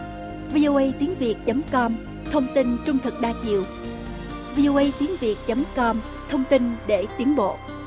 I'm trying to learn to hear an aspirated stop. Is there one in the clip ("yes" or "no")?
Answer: yes